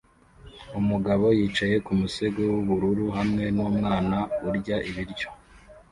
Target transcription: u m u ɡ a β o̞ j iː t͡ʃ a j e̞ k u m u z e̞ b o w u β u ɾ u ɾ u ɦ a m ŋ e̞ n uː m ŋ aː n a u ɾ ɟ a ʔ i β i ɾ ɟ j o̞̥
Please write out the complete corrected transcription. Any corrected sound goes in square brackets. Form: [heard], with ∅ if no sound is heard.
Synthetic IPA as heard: u m u ɡ a β o̞ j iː t͡ʃ a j e̞ k u m u [s] e̞ [ɡ] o w u β u ɾ u ɾ u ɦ a m ŋ e̞ n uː m ŋ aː n a u ɾ ɟ a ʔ i β i ɾ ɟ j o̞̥

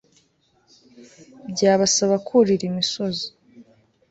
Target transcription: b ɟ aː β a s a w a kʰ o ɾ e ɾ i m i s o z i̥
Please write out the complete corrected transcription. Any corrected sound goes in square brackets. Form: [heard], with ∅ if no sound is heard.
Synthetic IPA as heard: b ɟ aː β a s a [β] a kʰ [u] ɾ [i] ɾ i m i s o z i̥

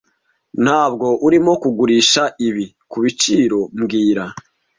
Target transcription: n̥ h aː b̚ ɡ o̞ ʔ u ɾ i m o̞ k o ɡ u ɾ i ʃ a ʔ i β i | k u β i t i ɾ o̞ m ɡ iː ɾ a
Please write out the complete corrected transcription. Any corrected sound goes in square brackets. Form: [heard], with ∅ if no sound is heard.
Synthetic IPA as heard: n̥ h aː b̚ ɡ o̞ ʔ u ɾ i m o̞ k [u] ɡ u ɾ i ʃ a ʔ i β i | k u β i [t͡ʃ] i ɾ o̞ m ɡ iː ɾ a

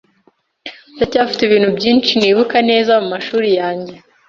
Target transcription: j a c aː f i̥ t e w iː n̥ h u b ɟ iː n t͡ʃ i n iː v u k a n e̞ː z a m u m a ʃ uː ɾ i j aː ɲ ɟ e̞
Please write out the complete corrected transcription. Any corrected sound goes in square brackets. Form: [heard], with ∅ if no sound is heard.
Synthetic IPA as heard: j a c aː f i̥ t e [β] iː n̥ h u b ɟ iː n t͡ʃ i n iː [β] u k a n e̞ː z a m u m a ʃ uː ɾ i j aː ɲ ɟ e̞

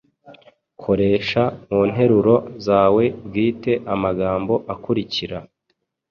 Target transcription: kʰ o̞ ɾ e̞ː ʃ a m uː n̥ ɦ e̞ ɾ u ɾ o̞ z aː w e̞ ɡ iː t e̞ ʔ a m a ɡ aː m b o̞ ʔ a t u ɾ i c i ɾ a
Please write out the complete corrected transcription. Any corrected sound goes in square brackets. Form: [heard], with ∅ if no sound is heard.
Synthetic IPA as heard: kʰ o̞ ɾ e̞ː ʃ a m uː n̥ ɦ e̞ ɾ u ɾ o̞ z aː w e̞ ɡ iː t e̞ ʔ a m a ɡ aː m b o̞ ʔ a [k] u ɾ i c i ɾ a

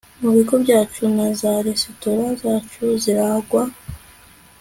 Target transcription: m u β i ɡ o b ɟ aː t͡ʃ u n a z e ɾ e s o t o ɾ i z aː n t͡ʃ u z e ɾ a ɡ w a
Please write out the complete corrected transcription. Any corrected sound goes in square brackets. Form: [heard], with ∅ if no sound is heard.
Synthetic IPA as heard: m u β i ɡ o b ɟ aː t͡ʃ u n a z [a] ɾ e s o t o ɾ [a] z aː [∅] t͡ʃ u z [i] ɾ a ɡ w a

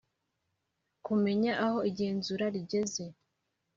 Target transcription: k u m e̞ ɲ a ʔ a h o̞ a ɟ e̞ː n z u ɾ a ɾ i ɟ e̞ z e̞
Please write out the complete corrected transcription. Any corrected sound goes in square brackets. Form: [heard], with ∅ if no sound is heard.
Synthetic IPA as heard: k u m e̞ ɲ a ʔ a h o̞ [i] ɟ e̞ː n z u ɾ a ɾ i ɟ e̞ z e̞

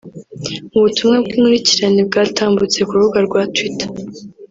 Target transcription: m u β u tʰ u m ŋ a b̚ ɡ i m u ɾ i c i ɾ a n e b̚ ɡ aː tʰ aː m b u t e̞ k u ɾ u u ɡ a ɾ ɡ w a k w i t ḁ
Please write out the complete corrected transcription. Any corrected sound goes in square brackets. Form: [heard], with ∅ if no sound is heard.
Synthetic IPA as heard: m u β u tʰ u m ŋ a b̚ ɡ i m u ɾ i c i ɾ a n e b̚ ɡ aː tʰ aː m b u [t͡s] e̞ k u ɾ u u ɡ a ɾ ɡ w a [t] w i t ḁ

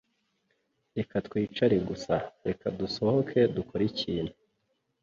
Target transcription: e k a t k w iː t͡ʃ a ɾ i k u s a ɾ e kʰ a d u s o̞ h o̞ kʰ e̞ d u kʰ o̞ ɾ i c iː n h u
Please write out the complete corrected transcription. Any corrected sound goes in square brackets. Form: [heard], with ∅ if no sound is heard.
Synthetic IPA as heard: e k a t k w iː t͡ʃ a ɾ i [ɡ] u s a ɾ e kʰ a d u s o̞ h o̞ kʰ e̞ d u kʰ o̞ ɾ i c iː n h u

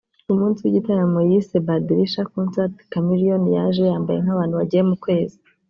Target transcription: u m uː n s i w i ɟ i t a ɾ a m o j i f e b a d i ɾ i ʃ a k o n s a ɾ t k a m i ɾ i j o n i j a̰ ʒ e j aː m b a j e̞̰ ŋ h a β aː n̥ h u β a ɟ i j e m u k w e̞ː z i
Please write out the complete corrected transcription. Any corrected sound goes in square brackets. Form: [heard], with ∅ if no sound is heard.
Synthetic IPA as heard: u m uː n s i w i ɟ i t a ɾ a m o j i [s] e b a d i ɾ i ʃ a k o n s a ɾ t k a m i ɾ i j o n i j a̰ ʒ e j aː m b a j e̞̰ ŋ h a β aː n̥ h u β a ɟ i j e m u k w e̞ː z i

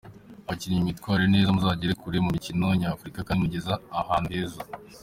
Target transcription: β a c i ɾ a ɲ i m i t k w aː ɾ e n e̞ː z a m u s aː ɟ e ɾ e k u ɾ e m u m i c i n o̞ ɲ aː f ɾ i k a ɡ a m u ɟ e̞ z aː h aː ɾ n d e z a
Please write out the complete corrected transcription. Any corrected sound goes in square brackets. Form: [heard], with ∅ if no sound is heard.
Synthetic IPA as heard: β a c i ɾ [i] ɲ i m i t k w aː ɾ e n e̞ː z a m u [z] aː ɟ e ɾ e k u ɾ e m u m i c i n o̞ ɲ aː f ɾ i k a [k] a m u ɟ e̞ z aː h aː [∅] n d e z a

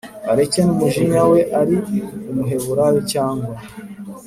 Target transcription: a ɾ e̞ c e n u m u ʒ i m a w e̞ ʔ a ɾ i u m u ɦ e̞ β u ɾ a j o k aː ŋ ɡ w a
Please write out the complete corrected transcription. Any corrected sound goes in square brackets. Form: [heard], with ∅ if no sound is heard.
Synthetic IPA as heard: a ɾ e̞ c e n u m u ʒ i [ɲ] a w e̞ ʔ a ɾ i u m u ɦ e̞ β u ɾ a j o [c] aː ŋ ɡ w a

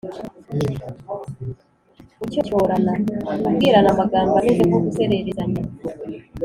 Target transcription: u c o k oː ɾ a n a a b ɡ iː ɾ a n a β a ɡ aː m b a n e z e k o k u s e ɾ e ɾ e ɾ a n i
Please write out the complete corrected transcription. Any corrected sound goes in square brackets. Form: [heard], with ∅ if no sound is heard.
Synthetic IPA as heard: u c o [c] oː ɾ a n a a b ɡ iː ɾ a n a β a ɡ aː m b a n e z e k o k u s e ɾ e ɾ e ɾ a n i

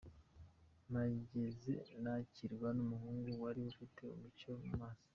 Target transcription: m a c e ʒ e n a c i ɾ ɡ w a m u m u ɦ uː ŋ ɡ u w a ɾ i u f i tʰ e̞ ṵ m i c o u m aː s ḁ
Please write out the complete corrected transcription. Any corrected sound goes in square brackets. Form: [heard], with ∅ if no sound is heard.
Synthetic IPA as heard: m a [ɟ] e [z] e n a c i ɾ ɡ w a [n] u m u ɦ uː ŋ ɡ u w a ɾ i u f i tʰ e̞ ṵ m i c o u m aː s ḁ

